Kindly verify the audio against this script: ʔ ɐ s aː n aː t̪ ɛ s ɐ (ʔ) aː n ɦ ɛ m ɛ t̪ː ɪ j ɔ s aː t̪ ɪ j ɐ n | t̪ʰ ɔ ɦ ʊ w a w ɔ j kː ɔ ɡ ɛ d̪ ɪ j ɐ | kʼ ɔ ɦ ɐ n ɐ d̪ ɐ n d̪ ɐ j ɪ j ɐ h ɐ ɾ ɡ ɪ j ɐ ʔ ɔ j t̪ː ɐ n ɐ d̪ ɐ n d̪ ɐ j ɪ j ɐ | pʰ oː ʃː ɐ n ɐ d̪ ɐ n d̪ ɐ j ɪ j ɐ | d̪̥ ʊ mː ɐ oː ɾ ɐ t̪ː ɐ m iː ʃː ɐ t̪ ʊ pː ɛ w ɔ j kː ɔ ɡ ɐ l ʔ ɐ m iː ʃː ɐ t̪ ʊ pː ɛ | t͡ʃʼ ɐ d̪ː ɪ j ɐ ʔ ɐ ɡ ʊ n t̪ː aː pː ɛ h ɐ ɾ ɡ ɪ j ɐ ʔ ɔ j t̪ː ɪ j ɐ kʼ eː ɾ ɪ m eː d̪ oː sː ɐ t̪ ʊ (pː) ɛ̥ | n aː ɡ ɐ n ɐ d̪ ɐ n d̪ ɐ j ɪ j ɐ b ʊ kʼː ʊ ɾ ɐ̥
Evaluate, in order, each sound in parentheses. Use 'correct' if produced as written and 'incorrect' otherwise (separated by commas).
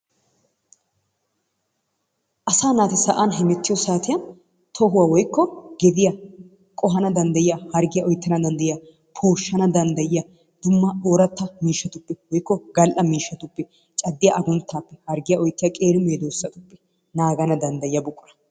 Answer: correct, correct